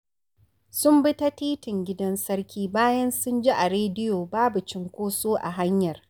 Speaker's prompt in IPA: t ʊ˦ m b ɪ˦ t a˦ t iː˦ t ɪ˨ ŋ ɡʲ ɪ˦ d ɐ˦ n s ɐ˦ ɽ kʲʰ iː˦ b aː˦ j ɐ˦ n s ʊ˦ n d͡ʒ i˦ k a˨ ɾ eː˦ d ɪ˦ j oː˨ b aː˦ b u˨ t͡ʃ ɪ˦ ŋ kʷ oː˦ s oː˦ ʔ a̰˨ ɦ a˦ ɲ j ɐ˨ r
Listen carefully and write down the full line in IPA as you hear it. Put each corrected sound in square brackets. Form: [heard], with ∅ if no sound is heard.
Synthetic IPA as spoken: [s] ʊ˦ m b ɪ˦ t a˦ t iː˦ t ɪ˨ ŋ ɡʲ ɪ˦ d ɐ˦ n s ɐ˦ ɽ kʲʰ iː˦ b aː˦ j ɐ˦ n s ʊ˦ n d͡ʒ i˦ [ʔ] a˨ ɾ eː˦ d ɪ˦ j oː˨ b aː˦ b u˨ t͡ʃ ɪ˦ ŋ kʷ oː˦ s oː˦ ʔ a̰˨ ɦ a˦ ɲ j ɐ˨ r